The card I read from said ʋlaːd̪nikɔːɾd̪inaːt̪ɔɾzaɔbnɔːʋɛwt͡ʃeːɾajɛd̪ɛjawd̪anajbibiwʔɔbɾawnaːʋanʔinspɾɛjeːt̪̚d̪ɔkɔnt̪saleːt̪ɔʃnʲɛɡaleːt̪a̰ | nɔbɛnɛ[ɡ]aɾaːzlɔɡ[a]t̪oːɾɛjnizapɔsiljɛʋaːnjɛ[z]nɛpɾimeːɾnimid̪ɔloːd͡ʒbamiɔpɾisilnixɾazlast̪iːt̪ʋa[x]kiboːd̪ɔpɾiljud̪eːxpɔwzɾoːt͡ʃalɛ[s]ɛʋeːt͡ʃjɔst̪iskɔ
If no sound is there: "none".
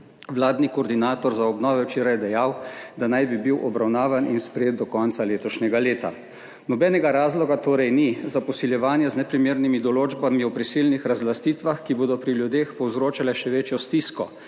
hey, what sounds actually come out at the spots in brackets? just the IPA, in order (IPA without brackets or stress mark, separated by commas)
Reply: ɡ, a, z, x, ʃ